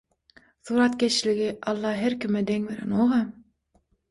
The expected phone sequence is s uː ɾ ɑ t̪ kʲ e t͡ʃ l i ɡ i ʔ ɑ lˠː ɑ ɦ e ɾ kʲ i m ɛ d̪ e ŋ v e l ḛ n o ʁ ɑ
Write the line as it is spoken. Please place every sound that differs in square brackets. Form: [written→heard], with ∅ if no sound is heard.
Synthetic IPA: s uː ɾ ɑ t̪ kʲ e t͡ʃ l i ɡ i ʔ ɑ lˠː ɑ ɦ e ɾ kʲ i m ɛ d̪ e ŋ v e [l→ɾ] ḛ n o ʁ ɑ